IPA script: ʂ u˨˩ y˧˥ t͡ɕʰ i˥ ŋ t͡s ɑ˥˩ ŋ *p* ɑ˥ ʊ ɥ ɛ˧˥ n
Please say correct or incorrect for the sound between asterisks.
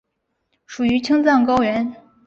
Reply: incorrect